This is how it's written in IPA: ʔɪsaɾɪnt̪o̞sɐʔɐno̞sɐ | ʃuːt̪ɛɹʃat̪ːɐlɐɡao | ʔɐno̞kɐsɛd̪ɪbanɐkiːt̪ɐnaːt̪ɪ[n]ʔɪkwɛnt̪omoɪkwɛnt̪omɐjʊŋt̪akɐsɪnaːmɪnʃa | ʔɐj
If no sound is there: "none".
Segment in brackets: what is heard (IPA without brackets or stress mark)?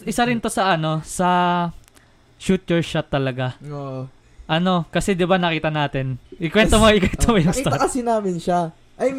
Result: n